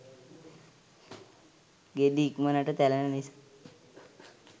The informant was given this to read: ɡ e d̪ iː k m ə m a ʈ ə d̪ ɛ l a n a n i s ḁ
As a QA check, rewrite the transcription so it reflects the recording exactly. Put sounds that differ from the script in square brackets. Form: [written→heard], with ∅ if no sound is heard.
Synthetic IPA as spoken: ɡ e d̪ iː k m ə [m→n] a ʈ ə [d̪→t̪] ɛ l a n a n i s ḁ